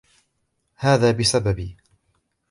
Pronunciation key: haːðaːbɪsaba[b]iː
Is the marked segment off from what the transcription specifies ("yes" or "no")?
no